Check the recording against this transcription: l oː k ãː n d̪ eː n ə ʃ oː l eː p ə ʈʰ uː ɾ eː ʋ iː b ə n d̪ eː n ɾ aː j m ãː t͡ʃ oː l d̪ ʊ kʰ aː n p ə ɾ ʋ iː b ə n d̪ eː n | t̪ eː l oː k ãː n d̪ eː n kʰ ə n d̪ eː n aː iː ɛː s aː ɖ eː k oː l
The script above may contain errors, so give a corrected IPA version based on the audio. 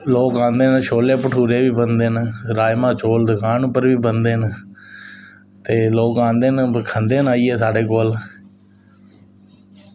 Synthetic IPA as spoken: l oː k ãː n d̪ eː n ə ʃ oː l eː p ə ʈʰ uː ɾ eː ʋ iː b ə n d̪ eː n ɾ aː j m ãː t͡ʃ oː l d̪ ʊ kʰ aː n p ə ɾ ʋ iː b ə n d̪ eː n | t̪ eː l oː k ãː n d̪ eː n kʰ ə n d̪ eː n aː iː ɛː s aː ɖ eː k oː l